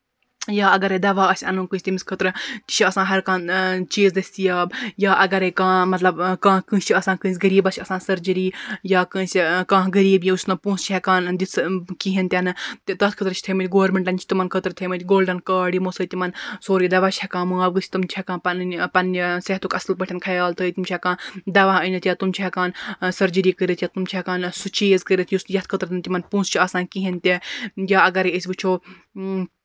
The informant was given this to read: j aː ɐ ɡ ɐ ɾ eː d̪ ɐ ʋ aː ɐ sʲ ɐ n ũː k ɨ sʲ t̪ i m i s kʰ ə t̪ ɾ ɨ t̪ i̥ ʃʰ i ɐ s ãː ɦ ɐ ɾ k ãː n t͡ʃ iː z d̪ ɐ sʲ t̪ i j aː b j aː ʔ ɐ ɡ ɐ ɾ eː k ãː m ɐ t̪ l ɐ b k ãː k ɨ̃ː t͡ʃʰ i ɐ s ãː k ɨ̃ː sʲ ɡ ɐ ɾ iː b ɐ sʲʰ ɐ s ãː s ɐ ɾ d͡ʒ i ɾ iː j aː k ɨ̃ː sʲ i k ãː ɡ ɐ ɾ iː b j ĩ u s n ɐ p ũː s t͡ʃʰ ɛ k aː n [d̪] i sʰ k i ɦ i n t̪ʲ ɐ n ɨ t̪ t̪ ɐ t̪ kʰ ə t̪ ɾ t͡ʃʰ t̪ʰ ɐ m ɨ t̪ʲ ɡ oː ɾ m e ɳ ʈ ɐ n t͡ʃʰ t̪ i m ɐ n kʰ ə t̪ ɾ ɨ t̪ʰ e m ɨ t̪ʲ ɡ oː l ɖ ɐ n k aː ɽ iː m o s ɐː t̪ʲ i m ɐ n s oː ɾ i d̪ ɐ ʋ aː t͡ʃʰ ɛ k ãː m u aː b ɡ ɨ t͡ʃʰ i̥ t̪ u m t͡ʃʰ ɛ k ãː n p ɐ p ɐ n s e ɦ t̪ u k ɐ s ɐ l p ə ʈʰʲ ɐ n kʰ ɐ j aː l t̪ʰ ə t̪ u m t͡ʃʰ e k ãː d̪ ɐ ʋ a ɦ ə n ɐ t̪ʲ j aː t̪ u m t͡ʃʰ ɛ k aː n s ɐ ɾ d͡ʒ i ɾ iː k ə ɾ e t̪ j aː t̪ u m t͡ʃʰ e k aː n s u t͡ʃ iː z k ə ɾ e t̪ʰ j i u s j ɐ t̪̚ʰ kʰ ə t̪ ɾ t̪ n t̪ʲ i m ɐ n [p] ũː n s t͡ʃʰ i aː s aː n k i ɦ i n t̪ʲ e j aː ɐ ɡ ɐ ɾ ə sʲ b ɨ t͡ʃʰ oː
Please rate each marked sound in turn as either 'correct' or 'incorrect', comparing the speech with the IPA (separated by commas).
correct, correct